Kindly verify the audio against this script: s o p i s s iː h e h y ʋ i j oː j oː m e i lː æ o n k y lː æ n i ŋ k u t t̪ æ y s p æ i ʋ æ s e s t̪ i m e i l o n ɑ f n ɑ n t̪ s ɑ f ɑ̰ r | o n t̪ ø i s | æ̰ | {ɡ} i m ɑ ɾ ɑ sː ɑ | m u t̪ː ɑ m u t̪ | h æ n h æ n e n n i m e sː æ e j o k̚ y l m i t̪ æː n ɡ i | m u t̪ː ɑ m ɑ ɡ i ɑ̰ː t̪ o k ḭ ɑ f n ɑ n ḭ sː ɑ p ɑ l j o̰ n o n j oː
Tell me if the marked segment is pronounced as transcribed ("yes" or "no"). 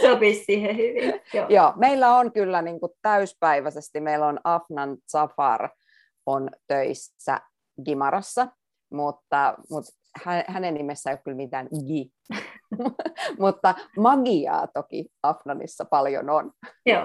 yes